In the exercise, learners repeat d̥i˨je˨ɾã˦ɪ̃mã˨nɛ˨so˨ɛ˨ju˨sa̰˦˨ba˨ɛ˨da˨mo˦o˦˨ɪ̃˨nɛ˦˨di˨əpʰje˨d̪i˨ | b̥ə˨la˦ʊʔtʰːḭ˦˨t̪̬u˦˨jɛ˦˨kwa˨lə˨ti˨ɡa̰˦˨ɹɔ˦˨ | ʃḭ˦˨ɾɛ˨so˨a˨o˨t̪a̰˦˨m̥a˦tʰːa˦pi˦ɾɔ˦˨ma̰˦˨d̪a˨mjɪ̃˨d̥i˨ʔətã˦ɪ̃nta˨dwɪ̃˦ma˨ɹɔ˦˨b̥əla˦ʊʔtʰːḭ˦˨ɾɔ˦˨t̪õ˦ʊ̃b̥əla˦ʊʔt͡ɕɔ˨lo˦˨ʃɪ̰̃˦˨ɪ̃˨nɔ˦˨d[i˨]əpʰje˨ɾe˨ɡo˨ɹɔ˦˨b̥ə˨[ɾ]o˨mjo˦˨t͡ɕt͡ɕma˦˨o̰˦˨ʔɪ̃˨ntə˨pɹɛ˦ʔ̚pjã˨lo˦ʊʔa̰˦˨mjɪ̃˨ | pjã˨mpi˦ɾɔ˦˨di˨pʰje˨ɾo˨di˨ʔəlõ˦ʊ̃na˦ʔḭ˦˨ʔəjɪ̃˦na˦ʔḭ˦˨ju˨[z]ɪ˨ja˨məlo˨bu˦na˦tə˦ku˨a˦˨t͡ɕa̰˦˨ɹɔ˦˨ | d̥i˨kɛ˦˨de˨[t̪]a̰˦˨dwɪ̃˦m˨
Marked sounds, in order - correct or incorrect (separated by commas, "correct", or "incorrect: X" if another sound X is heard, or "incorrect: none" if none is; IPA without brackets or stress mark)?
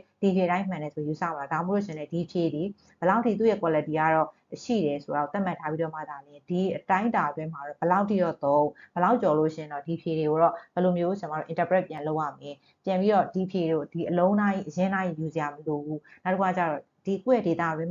correct, incorrect: l, correct, correct